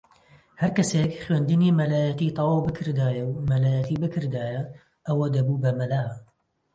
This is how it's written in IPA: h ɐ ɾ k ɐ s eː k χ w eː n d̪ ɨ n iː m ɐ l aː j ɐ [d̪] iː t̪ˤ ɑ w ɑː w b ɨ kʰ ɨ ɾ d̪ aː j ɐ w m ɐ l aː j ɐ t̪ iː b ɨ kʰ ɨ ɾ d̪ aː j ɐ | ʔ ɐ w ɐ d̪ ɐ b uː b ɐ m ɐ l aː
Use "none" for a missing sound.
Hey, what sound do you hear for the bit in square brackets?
t̪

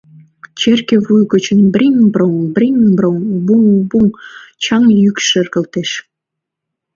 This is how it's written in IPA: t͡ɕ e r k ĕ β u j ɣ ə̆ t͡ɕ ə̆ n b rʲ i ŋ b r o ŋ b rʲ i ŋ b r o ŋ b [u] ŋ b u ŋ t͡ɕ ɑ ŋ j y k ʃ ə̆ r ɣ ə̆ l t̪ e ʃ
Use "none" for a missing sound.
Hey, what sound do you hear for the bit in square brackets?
u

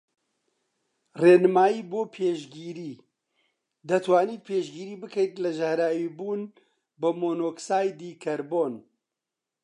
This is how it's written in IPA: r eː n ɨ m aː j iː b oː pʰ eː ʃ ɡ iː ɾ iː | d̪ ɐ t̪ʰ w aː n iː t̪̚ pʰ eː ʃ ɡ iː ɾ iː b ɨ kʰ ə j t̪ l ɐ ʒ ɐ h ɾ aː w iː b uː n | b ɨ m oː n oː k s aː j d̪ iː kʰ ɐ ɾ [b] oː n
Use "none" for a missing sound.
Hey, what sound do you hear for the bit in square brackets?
b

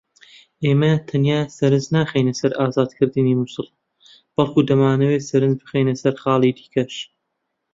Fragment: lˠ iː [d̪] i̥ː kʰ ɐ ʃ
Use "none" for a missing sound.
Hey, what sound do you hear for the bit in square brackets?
d̪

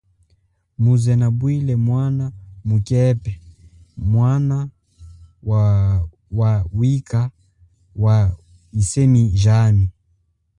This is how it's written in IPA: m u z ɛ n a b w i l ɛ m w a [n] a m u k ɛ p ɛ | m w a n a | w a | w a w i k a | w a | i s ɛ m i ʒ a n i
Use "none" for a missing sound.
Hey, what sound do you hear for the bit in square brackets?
n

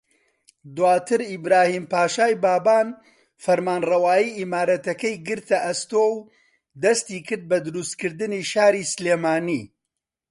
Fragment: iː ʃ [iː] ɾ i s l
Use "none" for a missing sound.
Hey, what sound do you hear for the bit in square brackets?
aː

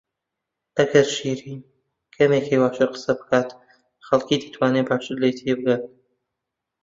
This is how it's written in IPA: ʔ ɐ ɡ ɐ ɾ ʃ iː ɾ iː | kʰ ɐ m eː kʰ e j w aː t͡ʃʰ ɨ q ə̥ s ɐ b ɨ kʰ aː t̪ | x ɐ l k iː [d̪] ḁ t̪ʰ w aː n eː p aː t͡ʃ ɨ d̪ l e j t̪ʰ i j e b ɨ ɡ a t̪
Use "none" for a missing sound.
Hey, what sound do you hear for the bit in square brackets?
d̪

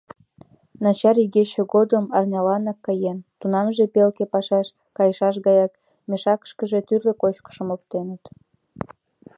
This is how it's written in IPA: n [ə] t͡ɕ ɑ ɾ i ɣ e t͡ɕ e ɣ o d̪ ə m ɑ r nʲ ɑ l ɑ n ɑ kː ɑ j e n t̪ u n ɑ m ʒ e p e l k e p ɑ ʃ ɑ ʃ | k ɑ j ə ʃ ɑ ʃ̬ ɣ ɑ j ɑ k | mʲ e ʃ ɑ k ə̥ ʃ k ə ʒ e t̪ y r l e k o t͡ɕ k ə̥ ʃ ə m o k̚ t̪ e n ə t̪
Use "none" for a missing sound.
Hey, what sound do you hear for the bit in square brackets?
ɑ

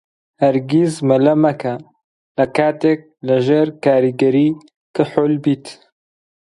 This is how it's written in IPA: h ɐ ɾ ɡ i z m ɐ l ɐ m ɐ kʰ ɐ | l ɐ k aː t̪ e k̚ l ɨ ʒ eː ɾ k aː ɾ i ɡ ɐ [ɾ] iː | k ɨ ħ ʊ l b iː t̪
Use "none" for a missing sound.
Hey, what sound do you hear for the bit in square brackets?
ɾ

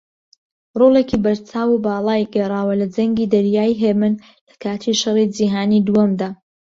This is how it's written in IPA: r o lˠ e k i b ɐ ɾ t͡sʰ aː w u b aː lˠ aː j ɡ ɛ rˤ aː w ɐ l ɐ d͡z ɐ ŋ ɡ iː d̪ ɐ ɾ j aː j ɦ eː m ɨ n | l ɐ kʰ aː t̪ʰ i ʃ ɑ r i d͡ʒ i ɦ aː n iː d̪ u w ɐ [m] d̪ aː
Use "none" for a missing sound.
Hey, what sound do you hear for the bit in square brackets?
m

